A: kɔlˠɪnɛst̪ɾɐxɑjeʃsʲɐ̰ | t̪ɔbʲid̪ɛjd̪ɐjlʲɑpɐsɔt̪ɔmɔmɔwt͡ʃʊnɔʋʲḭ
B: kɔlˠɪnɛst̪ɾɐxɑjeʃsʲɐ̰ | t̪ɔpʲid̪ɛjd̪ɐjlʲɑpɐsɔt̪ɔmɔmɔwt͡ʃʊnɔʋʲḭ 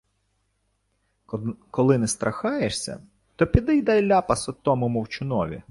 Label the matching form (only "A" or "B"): B